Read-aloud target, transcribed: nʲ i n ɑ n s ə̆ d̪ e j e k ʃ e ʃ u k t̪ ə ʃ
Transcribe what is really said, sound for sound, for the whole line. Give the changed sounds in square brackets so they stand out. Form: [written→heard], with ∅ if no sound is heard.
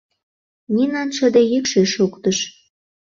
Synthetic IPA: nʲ i n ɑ n [s→ʃ] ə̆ d̪ e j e k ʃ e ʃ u k t̪ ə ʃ